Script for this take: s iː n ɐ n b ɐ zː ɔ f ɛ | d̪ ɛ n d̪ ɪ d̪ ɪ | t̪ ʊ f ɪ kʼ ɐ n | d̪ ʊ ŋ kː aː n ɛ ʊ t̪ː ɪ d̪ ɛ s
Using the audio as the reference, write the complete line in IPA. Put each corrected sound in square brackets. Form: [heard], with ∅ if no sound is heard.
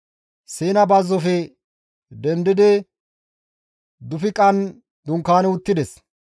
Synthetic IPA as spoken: s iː n ɐ [∅] b ɐ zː ɔ f ɛ | d̪ ɛ n d̪ ɪ d̪ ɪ | [d̪] ʊ f ɪ kʼ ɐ n | d̪ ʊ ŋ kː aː n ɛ ʊ t̪ː ɪ d̪ ɛ s